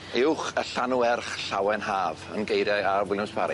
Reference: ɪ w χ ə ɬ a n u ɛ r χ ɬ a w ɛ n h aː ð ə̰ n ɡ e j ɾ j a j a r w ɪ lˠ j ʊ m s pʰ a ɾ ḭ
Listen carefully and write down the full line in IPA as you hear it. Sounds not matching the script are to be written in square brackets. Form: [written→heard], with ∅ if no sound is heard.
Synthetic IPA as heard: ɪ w χ ə ɬ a n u ɛ r χ ɬ a w ɛ n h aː [ð→v] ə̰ n ɡ e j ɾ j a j a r w ɪ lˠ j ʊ m s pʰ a ɾ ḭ